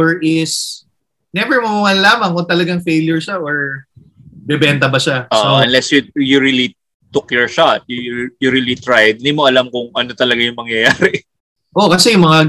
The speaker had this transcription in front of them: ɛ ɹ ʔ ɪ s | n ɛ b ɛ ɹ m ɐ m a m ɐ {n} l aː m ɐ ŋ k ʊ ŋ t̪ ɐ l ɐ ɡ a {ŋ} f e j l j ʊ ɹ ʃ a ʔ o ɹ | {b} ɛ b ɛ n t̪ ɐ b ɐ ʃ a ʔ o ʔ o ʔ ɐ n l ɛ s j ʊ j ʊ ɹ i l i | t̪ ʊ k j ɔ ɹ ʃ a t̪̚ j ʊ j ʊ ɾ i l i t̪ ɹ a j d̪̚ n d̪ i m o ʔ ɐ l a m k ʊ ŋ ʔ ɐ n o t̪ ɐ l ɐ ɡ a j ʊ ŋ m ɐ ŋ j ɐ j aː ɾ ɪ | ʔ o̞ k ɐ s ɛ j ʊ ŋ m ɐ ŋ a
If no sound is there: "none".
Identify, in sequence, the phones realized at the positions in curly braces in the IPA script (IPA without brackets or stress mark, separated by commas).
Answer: n, ŋ, b